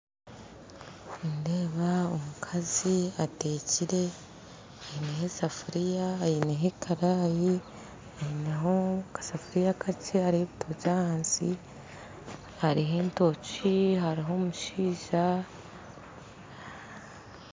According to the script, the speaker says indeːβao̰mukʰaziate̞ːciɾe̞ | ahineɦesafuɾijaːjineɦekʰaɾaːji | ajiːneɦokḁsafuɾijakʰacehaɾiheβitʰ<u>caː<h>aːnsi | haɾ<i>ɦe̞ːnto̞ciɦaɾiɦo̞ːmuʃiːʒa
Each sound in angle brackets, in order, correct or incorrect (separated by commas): incorrect, correct, correct